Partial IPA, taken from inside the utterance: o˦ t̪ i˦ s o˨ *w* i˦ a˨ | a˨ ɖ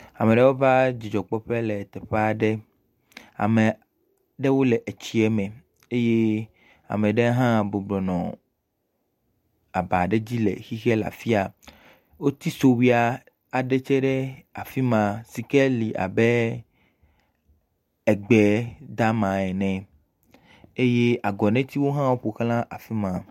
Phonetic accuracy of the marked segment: correct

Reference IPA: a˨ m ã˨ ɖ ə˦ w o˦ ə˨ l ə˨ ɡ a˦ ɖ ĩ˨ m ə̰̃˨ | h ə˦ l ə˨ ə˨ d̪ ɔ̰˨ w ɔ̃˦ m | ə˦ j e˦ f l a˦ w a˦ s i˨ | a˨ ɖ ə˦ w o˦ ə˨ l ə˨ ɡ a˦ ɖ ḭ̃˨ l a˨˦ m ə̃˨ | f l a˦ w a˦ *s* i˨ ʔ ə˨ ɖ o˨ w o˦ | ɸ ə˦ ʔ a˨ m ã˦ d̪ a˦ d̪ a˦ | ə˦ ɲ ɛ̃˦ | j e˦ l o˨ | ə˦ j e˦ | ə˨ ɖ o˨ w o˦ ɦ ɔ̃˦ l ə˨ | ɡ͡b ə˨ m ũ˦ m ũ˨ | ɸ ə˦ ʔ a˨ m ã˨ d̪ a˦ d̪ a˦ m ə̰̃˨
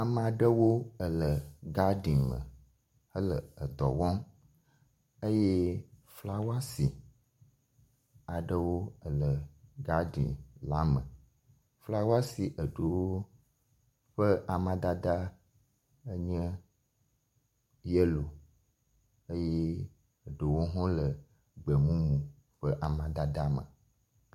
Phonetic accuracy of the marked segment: correct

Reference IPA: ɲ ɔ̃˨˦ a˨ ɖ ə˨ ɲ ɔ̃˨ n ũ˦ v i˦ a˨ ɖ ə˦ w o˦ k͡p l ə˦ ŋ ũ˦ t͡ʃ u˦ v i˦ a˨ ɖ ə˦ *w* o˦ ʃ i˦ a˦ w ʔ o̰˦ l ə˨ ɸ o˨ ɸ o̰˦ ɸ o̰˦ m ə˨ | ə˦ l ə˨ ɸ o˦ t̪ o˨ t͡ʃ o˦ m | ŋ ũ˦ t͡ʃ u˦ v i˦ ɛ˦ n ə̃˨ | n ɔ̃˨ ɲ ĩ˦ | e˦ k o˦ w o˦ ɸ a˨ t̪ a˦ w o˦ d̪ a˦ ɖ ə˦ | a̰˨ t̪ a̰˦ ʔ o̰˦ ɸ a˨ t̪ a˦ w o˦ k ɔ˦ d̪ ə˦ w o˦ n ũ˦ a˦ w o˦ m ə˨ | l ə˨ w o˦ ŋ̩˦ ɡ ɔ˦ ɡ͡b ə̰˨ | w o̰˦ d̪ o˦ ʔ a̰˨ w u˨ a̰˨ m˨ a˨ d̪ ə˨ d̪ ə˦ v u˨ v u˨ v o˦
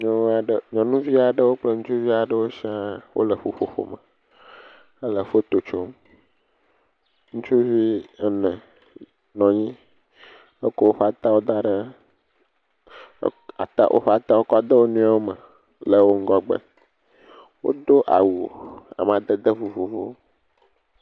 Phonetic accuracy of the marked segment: correct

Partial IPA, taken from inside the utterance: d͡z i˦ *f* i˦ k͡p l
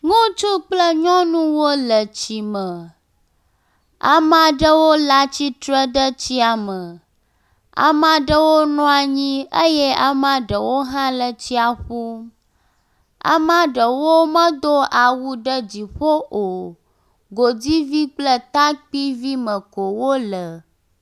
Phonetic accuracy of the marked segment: incorrect: v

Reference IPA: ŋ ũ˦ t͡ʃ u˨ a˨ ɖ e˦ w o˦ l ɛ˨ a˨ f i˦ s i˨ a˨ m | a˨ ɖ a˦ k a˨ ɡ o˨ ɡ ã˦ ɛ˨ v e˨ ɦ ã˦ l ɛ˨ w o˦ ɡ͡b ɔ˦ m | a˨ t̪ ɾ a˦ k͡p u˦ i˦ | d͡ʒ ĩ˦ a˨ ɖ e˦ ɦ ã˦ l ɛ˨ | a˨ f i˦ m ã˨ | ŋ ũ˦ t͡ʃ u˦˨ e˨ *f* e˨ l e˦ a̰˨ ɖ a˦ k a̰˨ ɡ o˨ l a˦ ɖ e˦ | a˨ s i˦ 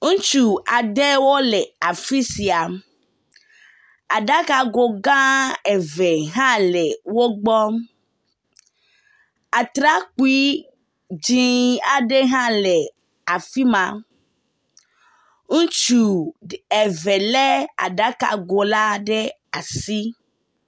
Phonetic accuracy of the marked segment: incorrect: v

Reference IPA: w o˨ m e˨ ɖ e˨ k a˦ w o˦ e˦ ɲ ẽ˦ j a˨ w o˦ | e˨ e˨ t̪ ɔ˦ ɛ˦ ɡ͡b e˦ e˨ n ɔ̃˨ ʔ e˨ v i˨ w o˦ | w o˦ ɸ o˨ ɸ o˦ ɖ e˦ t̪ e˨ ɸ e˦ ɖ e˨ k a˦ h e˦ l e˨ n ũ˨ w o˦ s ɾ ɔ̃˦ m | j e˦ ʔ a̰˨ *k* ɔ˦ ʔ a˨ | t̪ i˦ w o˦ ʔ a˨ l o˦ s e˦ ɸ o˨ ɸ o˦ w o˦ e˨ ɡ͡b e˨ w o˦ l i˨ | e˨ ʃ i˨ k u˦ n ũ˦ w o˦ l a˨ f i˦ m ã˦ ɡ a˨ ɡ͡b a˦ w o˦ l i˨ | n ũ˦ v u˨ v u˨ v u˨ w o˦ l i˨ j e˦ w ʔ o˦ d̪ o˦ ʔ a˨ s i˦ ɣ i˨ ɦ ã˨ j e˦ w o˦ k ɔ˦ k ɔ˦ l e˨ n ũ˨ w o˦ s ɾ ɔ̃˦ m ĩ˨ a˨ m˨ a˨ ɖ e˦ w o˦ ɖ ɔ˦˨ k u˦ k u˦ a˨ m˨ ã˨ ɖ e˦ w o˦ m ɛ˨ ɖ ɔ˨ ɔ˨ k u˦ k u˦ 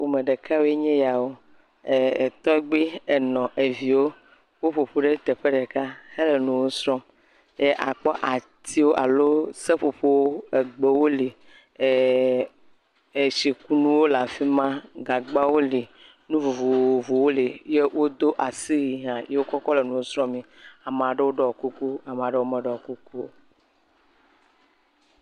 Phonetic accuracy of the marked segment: incorrect: k͡p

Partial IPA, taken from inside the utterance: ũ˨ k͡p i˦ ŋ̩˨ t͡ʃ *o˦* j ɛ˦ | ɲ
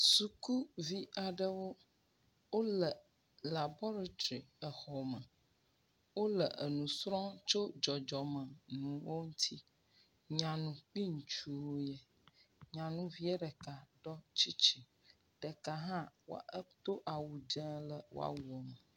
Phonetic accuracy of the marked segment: incorrect: u˦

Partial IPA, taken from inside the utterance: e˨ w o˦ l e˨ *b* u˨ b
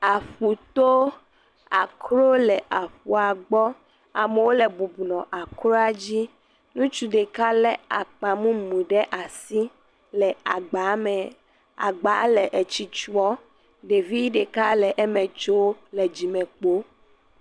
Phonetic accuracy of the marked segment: correct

